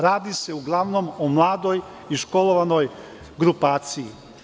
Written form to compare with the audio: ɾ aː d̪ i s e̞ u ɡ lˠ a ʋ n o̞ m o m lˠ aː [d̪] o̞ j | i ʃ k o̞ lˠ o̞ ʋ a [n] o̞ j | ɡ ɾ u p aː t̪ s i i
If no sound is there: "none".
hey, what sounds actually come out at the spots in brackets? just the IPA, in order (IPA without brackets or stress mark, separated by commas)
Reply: d̪, n